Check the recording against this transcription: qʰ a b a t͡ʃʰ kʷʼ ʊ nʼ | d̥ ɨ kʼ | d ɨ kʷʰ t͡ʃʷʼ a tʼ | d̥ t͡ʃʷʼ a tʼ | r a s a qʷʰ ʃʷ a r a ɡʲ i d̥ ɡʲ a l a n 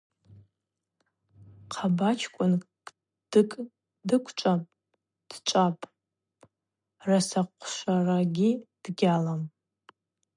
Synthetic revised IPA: qʰ a b a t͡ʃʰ kʷʼ ʊ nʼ | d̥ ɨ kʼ | d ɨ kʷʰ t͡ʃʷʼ a pʼ | d̥ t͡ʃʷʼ a pʼ | r a s a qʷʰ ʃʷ a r a ɡʲ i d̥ ɡʲ a l a m

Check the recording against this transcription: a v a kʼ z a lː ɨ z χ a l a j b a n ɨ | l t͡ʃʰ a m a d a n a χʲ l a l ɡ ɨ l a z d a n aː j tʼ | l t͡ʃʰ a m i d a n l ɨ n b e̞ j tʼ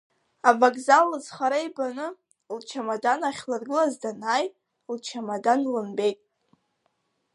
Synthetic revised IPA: a v a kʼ z a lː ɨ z χ a ɾ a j b a n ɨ | l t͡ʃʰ a m a d a n a χʲ l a r ɡ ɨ l a z d a n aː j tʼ | l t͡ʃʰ a m a d a n l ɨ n b e̞ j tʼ

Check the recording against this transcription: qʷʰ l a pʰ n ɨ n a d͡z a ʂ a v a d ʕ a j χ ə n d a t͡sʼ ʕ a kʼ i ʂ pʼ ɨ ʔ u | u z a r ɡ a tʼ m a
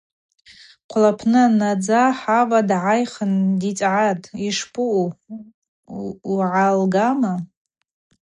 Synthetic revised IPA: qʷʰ l a pʰ n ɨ n a d͡z a ħ a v a d ʕ a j χ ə n d i t͡sʼ ʕ a tʼ i ʂ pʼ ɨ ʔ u | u ʕ a l ɡ a m a

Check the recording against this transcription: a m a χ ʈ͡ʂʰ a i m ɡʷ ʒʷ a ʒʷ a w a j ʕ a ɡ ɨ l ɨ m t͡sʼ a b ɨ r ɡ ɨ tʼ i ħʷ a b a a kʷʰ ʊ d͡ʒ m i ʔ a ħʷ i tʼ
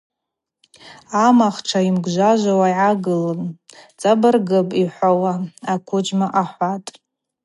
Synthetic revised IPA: a m a χ ʈ͡ʂʰ a i m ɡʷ ʒʷ a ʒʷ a w a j ʕ a ɡ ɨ l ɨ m t͡sʼ a b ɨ r ɡ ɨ pʼ i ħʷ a w a a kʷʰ ʊ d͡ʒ m a ʔ a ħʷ a tʼ

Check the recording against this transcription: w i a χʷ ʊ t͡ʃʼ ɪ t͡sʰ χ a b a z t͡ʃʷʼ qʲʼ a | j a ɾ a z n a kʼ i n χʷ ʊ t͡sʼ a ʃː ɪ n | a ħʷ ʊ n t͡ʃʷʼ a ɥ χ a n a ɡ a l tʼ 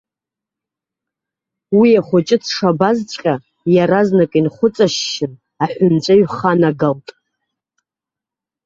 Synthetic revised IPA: w i a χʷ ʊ t͡ʃʼ ɪ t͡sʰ ʂ a b a z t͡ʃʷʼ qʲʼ a | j a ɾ a z n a kʼ i n χʷ ʊ t͡sʼ a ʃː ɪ n | a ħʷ ʊ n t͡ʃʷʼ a ɥ χ a n a ɡ a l tʼ

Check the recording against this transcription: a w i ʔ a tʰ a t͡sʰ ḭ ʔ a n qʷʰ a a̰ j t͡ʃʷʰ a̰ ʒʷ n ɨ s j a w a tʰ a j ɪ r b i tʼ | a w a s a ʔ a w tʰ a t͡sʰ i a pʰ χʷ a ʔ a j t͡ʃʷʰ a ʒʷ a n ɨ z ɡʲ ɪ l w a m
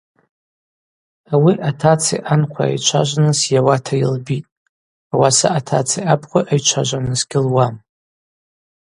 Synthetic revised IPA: a w i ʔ a tʰ a t͡sʰ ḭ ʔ a n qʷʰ a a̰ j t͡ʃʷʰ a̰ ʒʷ n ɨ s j a w a tʰ a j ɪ l b i tʼ | a w a s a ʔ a tʰ a t͡sʰ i a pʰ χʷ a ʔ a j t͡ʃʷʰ a ʒʷ a n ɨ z ɡʲ ɪ l w a m

